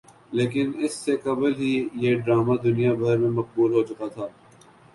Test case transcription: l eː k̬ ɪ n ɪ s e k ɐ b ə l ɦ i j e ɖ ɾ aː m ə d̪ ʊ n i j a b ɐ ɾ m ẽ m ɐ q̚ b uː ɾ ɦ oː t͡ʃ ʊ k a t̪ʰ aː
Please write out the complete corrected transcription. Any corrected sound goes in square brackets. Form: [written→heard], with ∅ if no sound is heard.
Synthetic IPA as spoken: l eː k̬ ɪ n ɪ [s→sː] e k ɐ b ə l ɦ i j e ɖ ɾ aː m [ə→a] d̪ ʊ n i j a b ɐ ɾ m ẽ m ɐ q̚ b uː [ɾ→l] ɦ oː t͡ʃ ʊ k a t̪ʰ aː